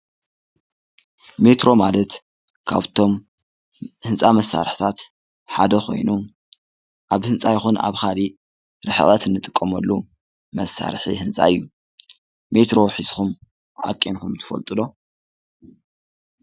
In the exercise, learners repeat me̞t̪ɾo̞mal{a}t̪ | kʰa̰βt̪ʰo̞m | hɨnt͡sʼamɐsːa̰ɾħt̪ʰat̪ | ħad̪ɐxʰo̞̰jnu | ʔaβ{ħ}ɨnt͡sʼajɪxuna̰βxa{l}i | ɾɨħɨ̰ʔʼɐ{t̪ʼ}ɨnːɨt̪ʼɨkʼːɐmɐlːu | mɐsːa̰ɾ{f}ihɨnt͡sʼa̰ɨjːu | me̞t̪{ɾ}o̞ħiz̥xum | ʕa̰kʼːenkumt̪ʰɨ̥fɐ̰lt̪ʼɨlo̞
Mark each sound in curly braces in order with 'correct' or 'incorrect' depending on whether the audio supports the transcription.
incorrect: ɐ, incorrect: h, correct, incorrect: t̪, incorrect: ħ, correct

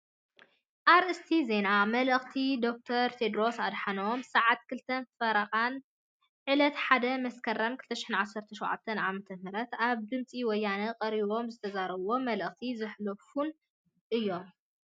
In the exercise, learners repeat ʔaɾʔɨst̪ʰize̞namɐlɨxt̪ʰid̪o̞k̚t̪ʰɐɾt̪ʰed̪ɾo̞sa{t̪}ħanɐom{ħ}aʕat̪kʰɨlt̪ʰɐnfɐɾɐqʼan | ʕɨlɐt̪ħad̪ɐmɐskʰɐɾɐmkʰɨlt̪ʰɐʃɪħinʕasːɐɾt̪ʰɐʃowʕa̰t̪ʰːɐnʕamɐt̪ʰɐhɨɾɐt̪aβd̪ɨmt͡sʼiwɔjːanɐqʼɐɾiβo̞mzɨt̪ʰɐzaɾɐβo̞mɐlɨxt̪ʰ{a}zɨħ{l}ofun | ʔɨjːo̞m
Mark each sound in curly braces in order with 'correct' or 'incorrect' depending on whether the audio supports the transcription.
incorrect: d̪, incorrect: s, incorrect: i, correct

